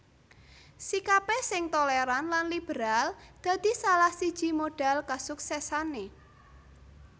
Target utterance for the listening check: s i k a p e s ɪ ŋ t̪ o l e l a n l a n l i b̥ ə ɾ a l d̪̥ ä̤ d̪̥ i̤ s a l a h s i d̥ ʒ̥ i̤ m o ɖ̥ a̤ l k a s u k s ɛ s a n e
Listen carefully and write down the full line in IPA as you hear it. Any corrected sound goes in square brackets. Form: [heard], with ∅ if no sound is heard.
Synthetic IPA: s i k a p e s ɪ ŋ t̪ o l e [ɾ] a n l a n l i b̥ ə ɾ a l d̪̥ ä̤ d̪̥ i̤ s a l a h s i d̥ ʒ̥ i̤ m o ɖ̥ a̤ l k a s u k s ɛ s a n e